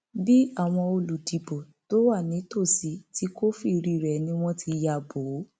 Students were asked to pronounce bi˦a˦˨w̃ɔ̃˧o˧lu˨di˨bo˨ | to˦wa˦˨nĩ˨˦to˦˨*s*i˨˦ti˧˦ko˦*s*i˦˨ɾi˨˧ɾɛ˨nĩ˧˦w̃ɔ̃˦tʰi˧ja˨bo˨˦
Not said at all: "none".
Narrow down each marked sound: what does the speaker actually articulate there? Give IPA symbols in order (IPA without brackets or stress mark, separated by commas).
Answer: s, f